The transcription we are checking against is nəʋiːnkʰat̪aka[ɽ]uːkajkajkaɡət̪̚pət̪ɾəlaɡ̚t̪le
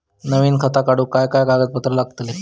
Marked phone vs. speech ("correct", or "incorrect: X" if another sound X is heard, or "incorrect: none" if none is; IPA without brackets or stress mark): correct